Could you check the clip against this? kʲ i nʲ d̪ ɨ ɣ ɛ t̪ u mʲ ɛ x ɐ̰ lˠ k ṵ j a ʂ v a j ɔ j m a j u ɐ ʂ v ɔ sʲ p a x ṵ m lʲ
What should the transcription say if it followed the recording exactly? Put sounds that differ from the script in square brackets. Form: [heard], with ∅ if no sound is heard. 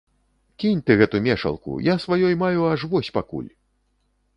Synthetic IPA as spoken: kʲ i nʲ [t̪] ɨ ɣ ɛ t̪ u mʲ ɛ [ʂ] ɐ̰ lˠ k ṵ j a [s] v a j ɔ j m a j u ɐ ʂ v ɔ sʲ p a [k] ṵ [∅] lʲ